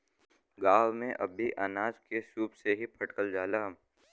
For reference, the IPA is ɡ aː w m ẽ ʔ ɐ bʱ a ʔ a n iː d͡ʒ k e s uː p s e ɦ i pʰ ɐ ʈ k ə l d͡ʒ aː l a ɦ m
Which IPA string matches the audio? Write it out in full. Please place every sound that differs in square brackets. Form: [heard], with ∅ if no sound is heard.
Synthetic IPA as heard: ɡ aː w m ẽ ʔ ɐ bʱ [i] ʔ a n [aː] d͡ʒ k e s uː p s e ɦ i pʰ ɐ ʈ k ə l d͡ʒ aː l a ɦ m